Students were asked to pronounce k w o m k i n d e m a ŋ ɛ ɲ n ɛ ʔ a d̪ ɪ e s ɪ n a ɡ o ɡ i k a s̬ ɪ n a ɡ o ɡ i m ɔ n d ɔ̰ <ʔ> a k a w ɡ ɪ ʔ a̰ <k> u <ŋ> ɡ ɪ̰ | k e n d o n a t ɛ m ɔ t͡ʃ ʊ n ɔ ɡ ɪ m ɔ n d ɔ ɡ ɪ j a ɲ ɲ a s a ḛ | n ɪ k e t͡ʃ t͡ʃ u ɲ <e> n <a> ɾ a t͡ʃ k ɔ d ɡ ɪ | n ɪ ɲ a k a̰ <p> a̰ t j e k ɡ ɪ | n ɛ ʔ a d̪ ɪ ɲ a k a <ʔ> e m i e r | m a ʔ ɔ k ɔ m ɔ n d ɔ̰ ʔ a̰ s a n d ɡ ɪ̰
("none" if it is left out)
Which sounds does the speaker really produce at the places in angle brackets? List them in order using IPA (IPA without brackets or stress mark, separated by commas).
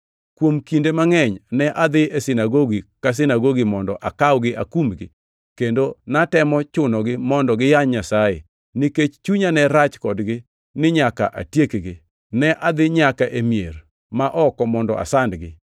ʔ, k, m, a, ɛ, ʔ, ʔ